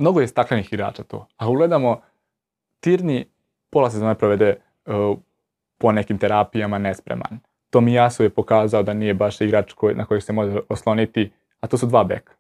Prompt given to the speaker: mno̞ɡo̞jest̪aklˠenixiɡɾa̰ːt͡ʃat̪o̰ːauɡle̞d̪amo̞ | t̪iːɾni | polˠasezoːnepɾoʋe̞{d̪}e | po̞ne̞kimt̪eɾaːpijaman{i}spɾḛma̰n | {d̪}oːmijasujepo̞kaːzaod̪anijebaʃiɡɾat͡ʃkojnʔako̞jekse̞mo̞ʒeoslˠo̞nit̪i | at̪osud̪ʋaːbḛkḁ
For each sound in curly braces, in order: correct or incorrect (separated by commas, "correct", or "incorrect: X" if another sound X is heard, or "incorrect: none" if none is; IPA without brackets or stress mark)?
correct, incorrect: e, incorrect: t̪